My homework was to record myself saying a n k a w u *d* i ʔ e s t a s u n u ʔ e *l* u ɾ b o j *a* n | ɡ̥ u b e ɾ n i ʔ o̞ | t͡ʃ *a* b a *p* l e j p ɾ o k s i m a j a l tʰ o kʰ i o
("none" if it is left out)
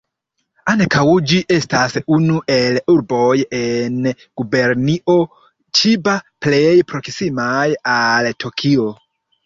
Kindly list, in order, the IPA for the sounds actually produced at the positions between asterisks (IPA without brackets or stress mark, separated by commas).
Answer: d͡ʒ, l, e, i, p